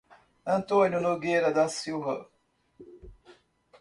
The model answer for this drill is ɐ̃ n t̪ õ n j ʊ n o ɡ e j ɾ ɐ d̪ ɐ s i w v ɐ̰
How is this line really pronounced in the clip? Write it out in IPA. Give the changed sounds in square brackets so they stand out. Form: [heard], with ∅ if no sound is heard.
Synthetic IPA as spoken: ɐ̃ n t̪ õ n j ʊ n o ɡ e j ɾ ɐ d̪ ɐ s i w v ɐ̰